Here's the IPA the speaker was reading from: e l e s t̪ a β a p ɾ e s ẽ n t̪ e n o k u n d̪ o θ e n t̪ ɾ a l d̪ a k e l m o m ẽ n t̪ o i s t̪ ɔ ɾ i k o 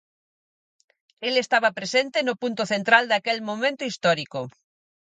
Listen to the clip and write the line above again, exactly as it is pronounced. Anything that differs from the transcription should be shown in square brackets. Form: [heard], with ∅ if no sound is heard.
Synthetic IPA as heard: e l e s t̪ a β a p ɾ e s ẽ n t̪ e n o [p] u n [t̪] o θ e n t̪ ɾ a l d̪ a k e l m o m ẽ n t̪ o i s t̪ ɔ ɾ i k o